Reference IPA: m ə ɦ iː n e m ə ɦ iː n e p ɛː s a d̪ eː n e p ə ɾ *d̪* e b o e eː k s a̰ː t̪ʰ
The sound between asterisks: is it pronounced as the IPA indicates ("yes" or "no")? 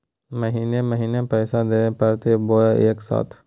no